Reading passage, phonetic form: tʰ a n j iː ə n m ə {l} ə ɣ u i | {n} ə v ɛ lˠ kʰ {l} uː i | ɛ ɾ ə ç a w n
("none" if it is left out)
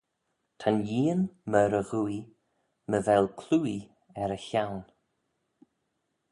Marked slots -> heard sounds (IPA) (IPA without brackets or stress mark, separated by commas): ɾ, m, l